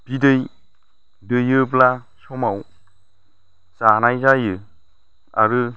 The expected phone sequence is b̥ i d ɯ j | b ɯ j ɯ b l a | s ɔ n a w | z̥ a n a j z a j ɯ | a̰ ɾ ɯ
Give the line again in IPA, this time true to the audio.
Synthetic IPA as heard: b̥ i d ɯ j | d ɯ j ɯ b l a | s ɔ m a w | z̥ a n a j z a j ɯ | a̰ ɾ ɯ